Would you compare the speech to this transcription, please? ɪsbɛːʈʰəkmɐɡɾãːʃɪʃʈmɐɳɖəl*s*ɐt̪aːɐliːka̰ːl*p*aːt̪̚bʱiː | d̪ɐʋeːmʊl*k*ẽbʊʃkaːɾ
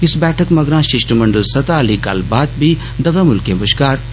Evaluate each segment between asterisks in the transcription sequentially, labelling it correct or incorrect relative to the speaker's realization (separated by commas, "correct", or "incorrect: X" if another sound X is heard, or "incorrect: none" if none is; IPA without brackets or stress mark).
correct, incorrect: b, correct